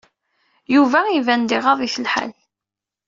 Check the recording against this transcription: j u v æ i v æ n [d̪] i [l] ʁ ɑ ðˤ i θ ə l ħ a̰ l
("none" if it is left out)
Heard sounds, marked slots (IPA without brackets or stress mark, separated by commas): d̪, none